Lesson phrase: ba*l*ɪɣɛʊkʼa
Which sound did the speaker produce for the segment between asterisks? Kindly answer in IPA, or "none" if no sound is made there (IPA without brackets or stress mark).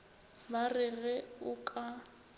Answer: r